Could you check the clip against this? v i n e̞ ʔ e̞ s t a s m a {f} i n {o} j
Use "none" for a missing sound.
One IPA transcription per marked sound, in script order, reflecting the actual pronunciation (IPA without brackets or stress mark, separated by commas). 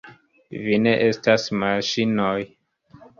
ʃ, o